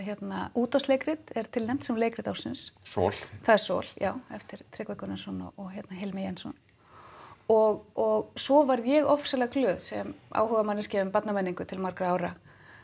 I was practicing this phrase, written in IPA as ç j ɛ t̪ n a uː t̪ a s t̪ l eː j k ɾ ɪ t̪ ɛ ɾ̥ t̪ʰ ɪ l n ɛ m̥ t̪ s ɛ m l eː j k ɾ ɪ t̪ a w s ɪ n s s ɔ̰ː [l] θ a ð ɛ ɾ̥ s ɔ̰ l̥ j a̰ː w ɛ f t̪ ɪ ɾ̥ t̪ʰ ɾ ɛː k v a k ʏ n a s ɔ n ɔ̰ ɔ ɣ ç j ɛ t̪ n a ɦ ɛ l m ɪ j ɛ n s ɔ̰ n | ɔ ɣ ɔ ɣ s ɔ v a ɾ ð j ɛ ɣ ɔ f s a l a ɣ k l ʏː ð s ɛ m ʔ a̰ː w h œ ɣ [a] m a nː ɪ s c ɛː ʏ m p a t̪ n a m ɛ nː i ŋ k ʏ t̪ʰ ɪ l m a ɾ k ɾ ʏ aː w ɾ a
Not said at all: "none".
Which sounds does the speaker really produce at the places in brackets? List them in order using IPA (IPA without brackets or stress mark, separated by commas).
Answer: l, a